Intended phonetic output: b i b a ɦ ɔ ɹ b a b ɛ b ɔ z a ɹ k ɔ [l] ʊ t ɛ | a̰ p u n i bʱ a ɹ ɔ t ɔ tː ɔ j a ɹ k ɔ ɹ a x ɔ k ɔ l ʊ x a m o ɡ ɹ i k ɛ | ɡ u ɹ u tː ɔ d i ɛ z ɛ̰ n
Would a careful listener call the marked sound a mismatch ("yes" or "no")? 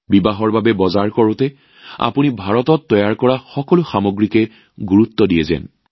yes